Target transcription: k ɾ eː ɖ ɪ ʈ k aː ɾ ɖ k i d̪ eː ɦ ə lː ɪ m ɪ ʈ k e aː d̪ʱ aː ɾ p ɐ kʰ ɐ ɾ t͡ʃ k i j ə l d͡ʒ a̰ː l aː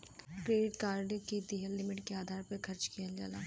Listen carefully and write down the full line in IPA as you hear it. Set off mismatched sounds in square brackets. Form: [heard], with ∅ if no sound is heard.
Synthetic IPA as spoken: k ɾ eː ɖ ɪ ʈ k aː ɾ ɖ k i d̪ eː ɦ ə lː ɪ m ɪ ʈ k e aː d̪ʱ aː ɾ p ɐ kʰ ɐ ɾ t͡ʃ k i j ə l d͡ʒ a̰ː l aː